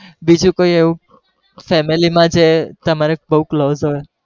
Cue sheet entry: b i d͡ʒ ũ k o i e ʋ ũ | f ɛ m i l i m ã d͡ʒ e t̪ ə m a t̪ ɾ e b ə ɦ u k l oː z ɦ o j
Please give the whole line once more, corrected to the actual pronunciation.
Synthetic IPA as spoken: b i d͡ʒ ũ k o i e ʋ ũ | f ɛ m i l i m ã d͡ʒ e t̪ ə m a ɾ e b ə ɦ u k l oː z ɦ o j